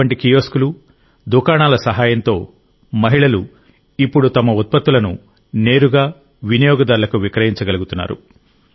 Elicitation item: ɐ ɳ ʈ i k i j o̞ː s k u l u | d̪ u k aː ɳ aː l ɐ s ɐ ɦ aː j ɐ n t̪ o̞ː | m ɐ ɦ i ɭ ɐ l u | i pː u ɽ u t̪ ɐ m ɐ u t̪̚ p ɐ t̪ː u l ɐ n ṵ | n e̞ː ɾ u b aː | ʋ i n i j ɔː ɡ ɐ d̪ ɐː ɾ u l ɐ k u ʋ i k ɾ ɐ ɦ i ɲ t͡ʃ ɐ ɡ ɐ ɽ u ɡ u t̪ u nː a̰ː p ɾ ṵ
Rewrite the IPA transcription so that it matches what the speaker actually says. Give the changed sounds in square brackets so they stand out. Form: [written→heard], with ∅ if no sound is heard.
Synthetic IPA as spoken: ɐ ɳ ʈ i k i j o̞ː s k u l u | d̪ u k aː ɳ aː l ɐ s ɐ ɦ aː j ɐ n t̪ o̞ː | m ɐ ɦ i ɭ ɐ l u | i pː u ɽ u t̪ ɐ m ɐ u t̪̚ p ɐ t̪ː u l ɐ n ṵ | n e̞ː ɾ u [b→ɡ] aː | ʋ i n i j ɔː ɡ ɐ d̪ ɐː ɾ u l ɐ k u ʋ i k ɾ ɐ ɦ i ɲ t͡ʃ ɐ ɡ ɐ [ɽ→l] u ɡ u t̪ u nː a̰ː [p→∅] ɾ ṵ